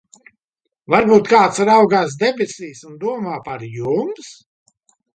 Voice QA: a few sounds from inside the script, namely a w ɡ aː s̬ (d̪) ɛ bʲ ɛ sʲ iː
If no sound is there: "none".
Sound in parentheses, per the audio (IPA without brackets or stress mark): d̪